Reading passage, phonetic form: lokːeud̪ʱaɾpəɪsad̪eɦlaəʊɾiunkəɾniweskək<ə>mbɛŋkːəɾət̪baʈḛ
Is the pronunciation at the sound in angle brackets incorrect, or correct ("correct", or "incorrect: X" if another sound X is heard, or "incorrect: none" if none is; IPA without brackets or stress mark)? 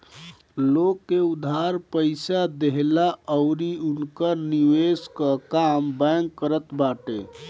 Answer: incorrect: a